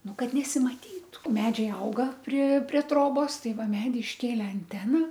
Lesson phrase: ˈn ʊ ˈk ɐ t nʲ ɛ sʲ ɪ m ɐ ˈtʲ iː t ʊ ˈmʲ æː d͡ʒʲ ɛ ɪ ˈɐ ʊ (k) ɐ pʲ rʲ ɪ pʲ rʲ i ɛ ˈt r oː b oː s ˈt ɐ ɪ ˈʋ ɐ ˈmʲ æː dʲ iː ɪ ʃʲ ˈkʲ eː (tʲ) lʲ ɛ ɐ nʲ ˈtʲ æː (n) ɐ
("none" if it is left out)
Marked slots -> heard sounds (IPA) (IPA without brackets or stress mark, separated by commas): ɡ, none, n